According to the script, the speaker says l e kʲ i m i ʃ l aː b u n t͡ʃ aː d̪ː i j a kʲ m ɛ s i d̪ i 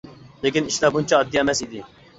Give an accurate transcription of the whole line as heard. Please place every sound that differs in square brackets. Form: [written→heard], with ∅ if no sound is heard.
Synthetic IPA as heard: l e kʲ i [m→n] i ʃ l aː b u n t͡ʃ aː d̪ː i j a [kʲ→∅] m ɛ s i d̪ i

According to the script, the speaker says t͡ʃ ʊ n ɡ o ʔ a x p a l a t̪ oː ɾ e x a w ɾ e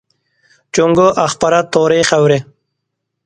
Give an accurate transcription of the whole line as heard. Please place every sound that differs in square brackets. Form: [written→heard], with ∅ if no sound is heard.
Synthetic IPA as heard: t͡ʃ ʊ [n→ŋ] ɡ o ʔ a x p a [l→ɾ] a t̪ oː ɾ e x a w ɾ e

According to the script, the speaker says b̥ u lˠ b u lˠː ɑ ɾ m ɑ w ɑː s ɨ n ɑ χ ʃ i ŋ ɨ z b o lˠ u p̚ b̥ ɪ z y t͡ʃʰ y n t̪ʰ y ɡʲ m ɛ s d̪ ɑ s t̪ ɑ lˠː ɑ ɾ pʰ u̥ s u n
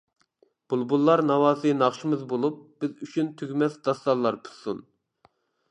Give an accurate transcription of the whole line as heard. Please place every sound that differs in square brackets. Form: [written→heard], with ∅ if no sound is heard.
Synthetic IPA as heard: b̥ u lˠ b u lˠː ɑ ɾ [m→n] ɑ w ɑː s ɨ n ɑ χ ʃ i [ŋ→m] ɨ z b o lˠ u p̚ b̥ ɪ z y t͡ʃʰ y n t̪ʰ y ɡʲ m ɛ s d̪ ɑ s t̪ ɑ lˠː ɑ ɾ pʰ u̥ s u n

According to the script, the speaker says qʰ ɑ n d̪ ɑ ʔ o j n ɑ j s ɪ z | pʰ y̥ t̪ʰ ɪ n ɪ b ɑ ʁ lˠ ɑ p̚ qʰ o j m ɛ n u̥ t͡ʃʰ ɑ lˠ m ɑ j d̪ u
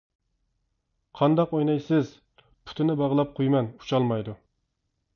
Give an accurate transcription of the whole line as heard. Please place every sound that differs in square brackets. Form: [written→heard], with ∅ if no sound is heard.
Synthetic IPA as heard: qʰ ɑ n d̪ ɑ [ʔ→q] o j n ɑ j s ɪ z | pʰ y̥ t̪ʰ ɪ n ɪ b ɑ ʁ lˠ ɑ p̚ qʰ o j m ɛ n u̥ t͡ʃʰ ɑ lˠ m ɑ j d̪ u

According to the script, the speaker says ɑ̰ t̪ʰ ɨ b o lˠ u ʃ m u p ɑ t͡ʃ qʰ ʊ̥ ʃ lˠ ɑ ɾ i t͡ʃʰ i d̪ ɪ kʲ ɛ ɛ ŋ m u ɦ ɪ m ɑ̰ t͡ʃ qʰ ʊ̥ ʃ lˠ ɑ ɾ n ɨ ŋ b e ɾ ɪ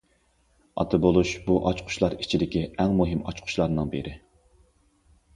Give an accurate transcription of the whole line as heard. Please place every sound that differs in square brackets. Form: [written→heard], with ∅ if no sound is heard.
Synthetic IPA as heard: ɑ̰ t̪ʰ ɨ b o lˠ u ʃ [m→b] u [p→ʔ] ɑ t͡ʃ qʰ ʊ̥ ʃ lˠ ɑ ɾ i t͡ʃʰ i d̪ ɪ kʲ [ɛ→i] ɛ ŋ m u ɦ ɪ m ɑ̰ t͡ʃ qʰ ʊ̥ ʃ lˠ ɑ ɾ n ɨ ŋ b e ɾ ɪ

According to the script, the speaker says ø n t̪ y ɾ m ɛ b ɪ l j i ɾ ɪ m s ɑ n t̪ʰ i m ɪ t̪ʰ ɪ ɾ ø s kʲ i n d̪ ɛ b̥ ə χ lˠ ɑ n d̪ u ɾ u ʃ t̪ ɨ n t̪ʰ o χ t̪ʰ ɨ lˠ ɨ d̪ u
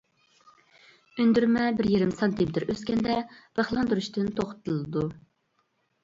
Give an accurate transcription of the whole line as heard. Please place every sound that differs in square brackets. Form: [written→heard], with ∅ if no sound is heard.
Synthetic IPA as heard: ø n [t̪→d̪] y ɾ m ɛ b ɪ [l→ɾ] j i ɾ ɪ m s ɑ n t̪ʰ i m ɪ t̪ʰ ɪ ɾ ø s kʲ [i→ɛ] n d̪ ɛ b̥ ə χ lˠ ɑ n d̪ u ɾ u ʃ t̪ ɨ n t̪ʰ o χ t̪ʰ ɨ lˠ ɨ d̪ u

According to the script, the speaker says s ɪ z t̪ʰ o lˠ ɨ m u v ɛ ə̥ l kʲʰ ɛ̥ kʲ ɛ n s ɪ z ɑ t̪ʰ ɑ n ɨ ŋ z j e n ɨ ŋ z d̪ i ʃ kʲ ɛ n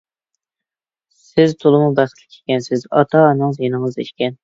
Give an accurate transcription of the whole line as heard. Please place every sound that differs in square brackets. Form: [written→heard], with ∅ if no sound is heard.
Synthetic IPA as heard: s ɪ z t̪ʰ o lˠ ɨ m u [v→b] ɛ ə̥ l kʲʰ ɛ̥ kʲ ɛ n s ɪ z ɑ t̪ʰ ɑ n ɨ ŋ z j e n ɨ ŋ z d̪ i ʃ kʲ ɛ n

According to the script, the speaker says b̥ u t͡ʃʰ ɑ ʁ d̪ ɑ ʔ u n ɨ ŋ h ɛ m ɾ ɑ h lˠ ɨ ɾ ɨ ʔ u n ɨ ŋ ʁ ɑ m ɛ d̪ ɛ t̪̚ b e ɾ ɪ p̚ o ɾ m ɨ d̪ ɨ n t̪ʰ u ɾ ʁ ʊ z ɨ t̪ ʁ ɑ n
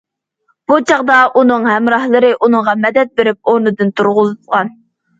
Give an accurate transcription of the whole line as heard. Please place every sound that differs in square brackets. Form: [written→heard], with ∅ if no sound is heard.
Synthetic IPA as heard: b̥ u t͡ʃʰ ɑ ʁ d̪ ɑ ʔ u n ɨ ŋ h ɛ m ɾ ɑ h lˠ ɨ ɾ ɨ ʔ u n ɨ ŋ ʁ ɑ m ɛ d̪ ɛ t̪̚ b e ɾ ɪ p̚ o ɾ [m→n] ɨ d̪ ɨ n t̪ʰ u ɾ ʁ ʊ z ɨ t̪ ʁ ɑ n

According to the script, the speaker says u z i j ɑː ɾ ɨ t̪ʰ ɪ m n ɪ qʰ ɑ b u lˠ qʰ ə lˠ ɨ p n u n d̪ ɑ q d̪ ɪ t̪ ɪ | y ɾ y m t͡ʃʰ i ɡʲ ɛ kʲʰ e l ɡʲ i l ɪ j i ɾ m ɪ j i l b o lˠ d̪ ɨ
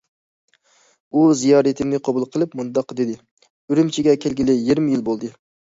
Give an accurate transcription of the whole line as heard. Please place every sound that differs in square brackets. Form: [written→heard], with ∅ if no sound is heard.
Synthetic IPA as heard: u z i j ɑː ɾ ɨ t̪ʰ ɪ m n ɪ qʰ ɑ b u lˠ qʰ ə lˠ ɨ p [n→m] u n d̪ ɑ q d̪ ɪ [t̪→d̪] ɪ | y ɾ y m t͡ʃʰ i ɡʲ ɛ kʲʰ e l ɡʲ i l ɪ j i ɾ m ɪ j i l b o lˠ d̪ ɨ

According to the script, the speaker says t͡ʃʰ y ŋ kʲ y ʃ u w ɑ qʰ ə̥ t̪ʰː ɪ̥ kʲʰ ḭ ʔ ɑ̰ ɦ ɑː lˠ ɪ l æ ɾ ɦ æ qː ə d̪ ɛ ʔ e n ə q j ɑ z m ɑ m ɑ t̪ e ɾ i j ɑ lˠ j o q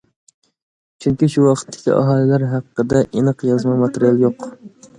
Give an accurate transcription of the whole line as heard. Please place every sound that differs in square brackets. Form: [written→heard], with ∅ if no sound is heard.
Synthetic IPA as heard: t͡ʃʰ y ŋ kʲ [y→i] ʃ u w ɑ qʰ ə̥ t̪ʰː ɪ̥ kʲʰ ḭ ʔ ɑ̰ ɦ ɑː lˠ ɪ l æ ɾ ɦ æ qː ə d̪ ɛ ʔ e n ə q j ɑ z m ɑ m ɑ t̪ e ɾ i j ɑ lˠ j o q

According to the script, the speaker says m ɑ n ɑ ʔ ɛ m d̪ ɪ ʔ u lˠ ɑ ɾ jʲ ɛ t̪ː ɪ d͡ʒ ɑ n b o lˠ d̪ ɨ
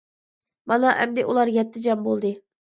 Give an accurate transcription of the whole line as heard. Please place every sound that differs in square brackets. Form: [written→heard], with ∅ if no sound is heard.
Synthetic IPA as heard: m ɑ n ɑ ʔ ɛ m d̪ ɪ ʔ u lˠ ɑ ɾ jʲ ɛ t̪ː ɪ d͡ʒ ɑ [n→m] b o lˠ d̪ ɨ

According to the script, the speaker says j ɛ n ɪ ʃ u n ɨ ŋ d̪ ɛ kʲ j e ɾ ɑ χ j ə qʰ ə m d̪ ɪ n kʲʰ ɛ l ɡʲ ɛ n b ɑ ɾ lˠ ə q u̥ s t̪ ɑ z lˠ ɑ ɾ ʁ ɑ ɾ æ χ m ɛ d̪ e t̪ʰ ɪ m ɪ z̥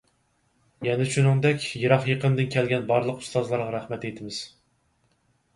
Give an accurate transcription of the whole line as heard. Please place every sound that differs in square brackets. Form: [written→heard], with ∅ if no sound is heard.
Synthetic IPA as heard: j ɛ n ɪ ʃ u n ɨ ŋ d̪ ɛ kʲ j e ɾ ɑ χ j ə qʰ ə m d̪ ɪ n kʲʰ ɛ l ɡʲ ɛ n b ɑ ɾ lˠ ə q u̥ s t̪ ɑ z lˠ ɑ ɾ ʁ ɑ ɾ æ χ m ɛ [d̪→t̪] e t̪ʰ ɪ m ɪ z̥

